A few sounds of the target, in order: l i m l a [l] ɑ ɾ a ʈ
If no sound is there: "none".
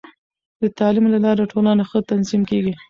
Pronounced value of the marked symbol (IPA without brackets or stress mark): l